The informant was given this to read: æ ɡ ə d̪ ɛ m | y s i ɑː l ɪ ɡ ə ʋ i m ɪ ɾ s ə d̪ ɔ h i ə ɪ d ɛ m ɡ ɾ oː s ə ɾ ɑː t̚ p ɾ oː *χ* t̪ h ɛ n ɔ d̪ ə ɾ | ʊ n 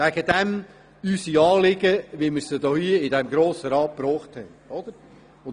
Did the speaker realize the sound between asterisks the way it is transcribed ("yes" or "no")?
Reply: yes